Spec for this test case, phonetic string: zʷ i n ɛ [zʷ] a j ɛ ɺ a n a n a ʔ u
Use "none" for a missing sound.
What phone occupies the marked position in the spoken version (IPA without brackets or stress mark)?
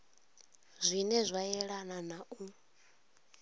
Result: zʷ